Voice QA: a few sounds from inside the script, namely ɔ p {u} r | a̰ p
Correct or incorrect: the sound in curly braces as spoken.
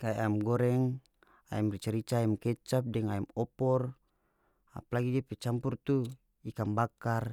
incorrect: ɔ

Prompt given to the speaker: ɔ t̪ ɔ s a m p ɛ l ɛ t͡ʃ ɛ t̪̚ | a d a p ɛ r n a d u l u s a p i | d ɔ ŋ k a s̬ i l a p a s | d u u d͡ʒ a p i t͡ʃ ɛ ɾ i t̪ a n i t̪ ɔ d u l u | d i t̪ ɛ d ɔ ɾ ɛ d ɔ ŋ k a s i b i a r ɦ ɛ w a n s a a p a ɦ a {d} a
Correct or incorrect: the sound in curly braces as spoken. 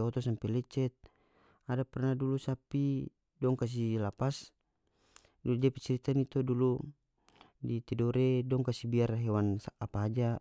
incorrect: d͡ʒ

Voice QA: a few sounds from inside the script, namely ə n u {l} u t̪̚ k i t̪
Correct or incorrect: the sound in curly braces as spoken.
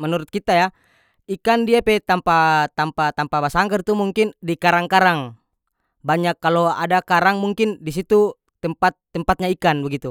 incorrect: ɾ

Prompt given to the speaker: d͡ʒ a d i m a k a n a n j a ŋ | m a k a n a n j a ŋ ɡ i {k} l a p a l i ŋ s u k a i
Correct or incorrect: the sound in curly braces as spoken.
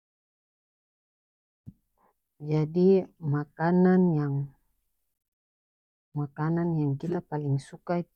incorrect: none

